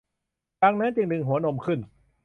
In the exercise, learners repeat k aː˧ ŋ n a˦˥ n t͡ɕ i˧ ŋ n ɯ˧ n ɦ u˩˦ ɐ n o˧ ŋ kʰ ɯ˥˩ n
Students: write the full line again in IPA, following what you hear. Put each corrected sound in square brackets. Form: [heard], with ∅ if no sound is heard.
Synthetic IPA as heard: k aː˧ ŋ n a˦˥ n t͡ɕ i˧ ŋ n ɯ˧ [ŋ] ɦ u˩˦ ɐ n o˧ [m] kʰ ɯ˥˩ n